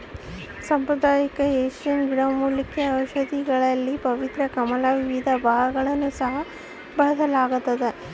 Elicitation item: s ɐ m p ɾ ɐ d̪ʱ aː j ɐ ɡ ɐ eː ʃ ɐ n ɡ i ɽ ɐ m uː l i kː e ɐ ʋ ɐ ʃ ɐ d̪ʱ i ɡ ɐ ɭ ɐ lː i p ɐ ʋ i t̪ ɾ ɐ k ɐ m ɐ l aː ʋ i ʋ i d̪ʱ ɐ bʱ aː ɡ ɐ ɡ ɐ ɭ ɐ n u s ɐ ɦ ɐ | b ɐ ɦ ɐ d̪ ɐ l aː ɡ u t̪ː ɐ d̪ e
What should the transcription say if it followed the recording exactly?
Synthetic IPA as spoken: s ɐ m p ɾ ɐ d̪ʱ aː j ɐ k ɐ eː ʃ ɐ n ɡ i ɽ ɐ m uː l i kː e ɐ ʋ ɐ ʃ ɐ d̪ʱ i ɡ ɐ ɭ ɐ lː i p ɐ ʋ i t̪ ɾ ɐ k ɐ m ɐ l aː ʋ i ʋ i d̪ʱ ɐ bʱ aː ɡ ɐ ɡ ɐ ɭ ɐ nː u s ɐ ɦ ɐ | b ɐ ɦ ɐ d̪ ɐ l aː ɡ u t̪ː ɐ d̪ e